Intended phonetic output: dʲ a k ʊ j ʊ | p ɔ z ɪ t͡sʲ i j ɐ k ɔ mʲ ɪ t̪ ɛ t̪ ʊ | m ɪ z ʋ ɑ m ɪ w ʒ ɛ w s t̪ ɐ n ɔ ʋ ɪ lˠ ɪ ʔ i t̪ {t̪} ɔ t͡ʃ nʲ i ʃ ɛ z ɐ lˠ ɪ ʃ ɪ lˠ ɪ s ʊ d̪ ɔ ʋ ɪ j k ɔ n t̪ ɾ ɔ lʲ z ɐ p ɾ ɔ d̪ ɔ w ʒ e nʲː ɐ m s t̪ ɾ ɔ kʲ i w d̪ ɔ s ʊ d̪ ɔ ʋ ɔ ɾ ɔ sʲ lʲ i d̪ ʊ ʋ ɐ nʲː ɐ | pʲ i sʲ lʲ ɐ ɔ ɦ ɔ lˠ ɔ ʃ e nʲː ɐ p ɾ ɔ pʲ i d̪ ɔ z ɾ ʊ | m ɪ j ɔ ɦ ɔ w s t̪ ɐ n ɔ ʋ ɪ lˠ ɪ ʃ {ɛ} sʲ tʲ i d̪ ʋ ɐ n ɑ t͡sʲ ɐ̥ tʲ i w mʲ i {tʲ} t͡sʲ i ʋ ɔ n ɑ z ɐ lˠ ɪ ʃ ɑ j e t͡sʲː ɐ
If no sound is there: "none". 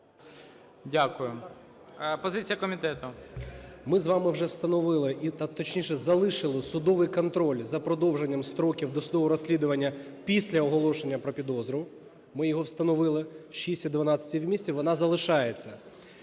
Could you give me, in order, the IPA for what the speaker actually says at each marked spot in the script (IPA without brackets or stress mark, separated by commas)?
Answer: t̪, i, sʲ